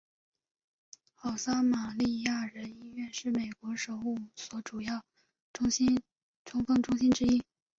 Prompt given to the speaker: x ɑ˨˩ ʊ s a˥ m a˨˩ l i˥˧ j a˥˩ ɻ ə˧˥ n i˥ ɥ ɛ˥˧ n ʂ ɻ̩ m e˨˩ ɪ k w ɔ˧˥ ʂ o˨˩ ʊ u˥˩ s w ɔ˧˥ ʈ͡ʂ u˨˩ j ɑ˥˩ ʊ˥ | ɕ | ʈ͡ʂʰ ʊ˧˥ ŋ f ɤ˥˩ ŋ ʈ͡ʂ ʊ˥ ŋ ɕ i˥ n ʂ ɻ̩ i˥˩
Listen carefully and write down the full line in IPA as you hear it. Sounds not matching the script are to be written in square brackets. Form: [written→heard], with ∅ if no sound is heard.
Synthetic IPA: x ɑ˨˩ ʊ s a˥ m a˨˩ l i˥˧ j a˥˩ ɻ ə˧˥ n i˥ ɥ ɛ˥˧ n ʂ ɻ̩ m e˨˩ ɪ k w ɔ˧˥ ʂ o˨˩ ʊ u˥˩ s w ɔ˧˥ ʈ͡ʂ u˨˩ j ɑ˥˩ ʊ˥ | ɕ | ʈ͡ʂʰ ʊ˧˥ ŋ f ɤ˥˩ ŋ ʈ͡ʂ ʊ˥ ŋ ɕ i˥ n [ʂ→ʈ͡ʂ] ɻ̩ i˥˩